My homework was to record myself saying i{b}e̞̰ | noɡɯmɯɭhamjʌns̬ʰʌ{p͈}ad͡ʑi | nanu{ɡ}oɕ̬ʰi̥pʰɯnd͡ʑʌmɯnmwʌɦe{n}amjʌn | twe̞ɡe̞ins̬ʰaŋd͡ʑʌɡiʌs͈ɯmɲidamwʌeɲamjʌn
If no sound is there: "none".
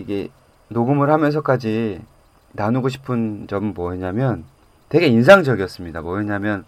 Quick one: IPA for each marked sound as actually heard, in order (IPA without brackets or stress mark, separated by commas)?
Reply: ɡ, k͈, ɡ, ɲ